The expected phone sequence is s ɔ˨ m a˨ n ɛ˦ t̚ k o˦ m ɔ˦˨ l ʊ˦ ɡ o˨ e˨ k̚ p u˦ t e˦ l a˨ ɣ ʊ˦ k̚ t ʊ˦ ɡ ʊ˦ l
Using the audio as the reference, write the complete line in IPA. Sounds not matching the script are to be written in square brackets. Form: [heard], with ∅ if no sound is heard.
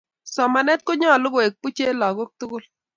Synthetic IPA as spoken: s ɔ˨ m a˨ n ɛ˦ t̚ k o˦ [ɲ] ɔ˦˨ l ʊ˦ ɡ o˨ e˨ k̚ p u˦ [t͡ʃ] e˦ l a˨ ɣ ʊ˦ k̚ t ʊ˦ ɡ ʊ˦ l